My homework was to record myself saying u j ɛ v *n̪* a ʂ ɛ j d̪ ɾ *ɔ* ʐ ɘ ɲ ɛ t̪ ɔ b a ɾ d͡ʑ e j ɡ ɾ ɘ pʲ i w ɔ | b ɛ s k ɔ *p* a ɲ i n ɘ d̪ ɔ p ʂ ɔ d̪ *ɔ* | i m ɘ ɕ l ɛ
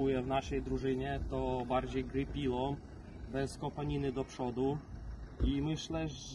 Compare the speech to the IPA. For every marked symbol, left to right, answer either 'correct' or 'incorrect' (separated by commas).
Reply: correct, incorrect, correct, incorrect